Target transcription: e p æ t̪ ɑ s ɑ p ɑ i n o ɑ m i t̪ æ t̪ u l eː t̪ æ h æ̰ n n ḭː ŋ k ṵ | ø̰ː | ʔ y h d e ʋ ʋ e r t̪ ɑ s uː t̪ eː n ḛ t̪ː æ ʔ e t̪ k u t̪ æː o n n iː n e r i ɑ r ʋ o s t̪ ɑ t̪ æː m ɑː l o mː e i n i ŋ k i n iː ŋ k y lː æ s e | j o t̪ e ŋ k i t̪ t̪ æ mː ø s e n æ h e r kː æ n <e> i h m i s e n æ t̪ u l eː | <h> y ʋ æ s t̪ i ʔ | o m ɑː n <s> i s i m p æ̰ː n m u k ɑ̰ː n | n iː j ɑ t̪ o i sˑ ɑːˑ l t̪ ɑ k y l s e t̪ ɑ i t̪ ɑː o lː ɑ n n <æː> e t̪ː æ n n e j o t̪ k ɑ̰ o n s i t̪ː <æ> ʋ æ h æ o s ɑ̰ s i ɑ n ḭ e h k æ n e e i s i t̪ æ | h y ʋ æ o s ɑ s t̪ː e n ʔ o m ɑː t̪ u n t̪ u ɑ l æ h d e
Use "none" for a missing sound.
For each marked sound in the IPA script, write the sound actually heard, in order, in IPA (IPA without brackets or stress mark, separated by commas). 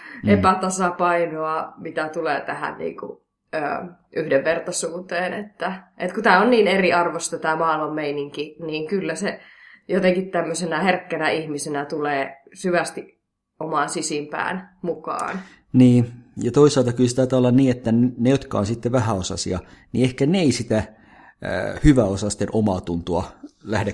æ, s, s, iː, e